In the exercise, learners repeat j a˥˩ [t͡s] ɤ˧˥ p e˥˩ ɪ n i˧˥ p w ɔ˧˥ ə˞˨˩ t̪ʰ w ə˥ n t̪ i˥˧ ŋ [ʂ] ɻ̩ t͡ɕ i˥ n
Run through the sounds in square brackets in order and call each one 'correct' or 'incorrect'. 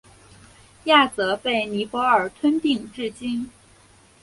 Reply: correct, incorrect: ʈ͡ʂ

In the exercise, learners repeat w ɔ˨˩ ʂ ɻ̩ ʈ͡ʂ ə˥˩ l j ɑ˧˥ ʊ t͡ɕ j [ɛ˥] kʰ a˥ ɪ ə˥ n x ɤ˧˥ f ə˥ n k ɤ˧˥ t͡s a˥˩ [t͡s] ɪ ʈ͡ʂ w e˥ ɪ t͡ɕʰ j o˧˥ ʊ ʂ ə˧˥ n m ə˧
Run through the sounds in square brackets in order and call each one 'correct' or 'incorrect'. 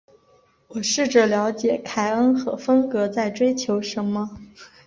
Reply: incorrect: ɛ˨˩, incorrect: none

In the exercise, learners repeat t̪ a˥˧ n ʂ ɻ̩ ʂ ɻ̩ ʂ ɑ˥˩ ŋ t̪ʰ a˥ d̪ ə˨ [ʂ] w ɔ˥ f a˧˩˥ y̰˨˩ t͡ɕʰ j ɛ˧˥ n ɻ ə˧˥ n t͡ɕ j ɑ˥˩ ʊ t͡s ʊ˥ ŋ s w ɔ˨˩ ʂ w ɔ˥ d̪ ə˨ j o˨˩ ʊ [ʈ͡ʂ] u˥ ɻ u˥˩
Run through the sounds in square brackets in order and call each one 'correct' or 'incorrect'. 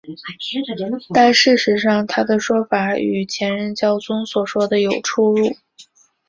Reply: correct, incorrect: ʈ͡ʂʰ

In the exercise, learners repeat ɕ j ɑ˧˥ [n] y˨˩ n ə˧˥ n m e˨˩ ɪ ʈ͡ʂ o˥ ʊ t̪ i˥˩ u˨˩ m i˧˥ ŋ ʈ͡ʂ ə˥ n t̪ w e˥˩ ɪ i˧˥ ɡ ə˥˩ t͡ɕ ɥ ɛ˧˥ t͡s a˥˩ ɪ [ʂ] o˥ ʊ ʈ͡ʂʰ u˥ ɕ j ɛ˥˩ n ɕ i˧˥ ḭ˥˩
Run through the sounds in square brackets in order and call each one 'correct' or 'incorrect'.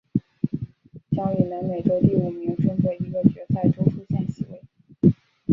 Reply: incorrect: ŋ, incorrect: ʈ͡ʂ

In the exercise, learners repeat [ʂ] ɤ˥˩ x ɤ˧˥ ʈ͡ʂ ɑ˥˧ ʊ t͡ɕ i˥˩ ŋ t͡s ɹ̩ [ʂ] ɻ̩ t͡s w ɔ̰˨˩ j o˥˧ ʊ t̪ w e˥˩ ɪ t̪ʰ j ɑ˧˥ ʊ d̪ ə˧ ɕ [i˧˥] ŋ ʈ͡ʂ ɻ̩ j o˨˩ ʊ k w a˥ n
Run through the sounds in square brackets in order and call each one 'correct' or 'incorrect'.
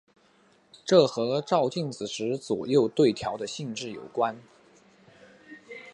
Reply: incorrect: ʈ͡ʂ, correct, incorrect: i˥˧

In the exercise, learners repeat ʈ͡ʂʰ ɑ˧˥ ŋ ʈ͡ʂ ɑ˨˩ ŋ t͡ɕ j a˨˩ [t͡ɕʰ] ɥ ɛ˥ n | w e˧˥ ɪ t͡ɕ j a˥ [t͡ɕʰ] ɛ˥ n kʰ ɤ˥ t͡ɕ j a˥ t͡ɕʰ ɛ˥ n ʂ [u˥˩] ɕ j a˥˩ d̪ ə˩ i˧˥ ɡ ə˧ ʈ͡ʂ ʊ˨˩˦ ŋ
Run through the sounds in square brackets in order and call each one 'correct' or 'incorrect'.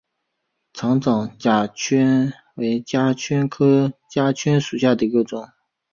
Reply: correct, correct, incorrect: u˨˩

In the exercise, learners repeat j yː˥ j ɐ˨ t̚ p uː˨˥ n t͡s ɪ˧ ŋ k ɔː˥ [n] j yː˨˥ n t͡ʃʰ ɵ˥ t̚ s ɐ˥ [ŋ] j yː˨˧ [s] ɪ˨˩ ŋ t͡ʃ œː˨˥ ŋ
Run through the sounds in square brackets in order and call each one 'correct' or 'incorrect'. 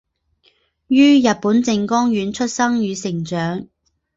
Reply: incorrect: ŋ, correct, correct

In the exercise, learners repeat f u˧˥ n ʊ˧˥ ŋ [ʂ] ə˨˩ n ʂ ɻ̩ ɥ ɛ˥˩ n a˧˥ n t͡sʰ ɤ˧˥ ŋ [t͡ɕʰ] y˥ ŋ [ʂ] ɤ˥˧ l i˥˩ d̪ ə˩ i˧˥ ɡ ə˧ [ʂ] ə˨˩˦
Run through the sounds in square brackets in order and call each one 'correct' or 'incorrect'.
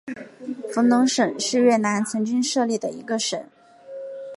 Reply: correct, incorrect: t͡ɕ, correct, correct

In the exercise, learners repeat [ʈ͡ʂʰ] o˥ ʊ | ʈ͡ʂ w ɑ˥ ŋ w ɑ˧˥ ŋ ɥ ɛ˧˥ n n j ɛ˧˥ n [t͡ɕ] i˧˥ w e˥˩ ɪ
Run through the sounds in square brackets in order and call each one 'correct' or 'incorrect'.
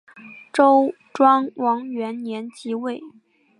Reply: incorrect: ʈ͡ʂ, correct

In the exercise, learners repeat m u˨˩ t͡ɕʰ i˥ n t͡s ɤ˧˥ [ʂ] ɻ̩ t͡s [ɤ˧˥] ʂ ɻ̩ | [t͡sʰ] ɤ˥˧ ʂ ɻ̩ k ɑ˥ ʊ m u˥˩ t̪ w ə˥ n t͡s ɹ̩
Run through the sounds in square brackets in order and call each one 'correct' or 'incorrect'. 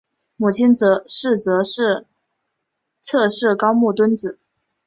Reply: correct, correct, correct

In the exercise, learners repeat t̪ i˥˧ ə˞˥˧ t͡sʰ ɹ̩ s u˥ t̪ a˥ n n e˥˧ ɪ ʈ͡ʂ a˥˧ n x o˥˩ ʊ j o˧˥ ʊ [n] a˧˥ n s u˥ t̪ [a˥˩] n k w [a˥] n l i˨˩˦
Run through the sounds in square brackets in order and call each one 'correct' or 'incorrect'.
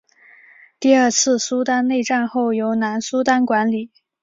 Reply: correct, incorrect: a˥, incorrect: a˧˥

